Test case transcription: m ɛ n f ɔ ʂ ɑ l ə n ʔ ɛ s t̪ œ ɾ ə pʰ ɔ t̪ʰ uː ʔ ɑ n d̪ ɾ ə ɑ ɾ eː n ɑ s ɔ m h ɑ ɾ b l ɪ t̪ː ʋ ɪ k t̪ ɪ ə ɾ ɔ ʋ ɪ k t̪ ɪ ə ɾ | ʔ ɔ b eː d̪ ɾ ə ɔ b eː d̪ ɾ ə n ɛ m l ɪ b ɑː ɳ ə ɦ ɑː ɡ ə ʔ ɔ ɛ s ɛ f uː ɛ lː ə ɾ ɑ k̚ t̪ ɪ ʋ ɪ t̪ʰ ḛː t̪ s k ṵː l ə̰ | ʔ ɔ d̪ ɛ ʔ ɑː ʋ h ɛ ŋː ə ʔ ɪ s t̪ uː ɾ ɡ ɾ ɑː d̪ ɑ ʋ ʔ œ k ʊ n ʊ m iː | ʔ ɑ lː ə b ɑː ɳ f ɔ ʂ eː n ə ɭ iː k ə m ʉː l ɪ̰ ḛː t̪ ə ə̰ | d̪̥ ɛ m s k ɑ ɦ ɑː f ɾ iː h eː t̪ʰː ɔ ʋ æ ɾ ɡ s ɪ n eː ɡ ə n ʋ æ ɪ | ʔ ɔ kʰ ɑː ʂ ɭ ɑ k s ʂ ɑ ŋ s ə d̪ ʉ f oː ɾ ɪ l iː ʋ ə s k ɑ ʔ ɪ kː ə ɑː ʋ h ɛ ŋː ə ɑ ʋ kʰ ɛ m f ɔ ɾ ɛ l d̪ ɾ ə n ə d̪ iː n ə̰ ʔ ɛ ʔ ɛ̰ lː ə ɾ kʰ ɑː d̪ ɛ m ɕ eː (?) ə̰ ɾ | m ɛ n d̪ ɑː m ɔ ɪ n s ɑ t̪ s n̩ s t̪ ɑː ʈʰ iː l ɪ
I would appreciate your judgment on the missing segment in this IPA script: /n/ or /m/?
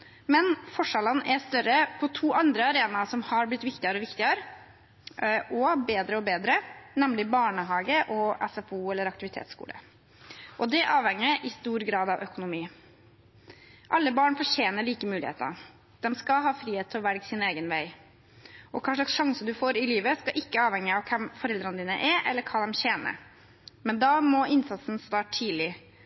n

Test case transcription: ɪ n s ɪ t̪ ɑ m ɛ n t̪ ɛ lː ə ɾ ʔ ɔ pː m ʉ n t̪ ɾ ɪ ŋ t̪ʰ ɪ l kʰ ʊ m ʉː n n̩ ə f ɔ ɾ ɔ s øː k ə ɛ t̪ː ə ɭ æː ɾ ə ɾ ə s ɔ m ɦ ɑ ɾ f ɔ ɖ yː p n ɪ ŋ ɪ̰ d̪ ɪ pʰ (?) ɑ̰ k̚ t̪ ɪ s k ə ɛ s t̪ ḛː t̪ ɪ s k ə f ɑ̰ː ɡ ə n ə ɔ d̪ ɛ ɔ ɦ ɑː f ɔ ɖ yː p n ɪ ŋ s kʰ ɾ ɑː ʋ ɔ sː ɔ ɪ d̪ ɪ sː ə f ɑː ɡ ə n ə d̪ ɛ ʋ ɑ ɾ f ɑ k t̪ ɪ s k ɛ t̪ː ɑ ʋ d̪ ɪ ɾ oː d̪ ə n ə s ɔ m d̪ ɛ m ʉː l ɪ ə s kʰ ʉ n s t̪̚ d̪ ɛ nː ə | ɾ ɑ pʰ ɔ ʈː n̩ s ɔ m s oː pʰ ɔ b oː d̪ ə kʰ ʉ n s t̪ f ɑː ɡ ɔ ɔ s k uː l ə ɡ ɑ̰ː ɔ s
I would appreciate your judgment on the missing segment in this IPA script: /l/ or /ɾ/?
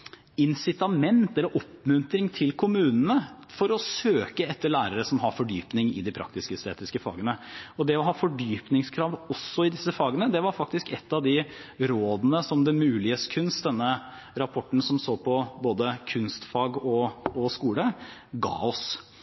ɾ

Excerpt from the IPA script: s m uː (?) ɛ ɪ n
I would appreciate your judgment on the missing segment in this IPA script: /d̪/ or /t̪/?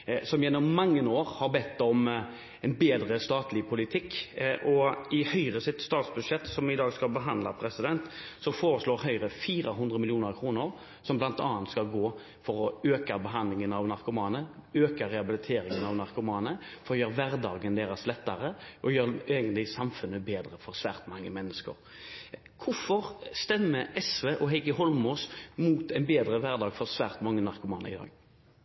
t̪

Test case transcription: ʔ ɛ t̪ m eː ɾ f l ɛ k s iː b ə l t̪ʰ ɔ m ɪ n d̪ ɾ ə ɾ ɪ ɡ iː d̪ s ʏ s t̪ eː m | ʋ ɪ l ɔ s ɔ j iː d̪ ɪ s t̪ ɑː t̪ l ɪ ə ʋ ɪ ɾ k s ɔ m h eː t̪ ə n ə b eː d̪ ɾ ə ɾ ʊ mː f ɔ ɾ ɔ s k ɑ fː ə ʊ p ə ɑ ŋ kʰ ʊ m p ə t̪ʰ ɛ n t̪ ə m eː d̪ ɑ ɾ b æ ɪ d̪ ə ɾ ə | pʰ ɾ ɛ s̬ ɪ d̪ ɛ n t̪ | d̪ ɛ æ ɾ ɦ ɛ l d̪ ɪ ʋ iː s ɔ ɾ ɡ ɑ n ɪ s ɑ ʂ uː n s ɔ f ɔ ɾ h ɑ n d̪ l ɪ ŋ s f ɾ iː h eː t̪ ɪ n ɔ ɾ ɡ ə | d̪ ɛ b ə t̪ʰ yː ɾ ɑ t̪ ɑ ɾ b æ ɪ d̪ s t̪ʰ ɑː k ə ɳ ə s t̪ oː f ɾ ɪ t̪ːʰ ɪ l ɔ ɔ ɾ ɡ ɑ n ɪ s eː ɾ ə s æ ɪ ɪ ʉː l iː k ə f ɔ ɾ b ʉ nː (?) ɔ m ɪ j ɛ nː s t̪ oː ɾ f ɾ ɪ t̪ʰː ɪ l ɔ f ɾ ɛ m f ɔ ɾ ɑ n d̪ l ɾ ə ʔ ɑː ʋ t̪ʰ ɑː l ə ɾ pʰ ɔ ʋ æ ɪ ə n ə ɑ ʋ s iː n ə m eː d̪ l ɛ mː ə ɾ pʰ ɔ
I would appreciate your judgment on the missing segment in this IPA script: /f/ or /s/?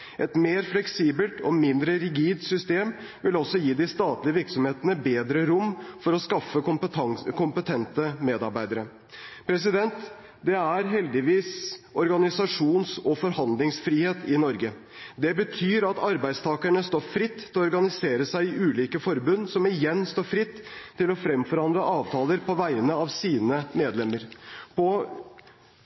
s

